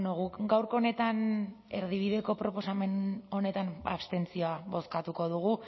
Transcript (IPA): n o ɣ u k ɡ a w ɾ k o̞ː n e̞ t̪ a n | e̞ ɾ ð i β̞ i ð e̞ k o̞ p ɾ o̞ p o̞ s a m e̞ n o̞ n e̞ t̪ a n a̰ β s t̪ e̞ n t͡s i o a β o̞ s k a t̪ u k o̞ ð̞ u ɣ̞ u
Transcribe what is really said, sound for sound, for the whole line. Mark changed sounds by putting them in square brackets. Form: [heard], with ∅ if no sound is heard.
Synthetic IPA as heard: n o ɣ u k ɡ a w ɾ k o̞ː n e̞ t̪ a n | e̞ ɾ ð i β̞ i ð e̞ k o̞ p ɾ o̞ p o̞ s a m e̞ n o̞ n e̞ t̪ a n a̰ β s t̪ e̞ n t͡s i o a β o̞ s k a t̪ u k o̞ ð̞ u ɣ̞ u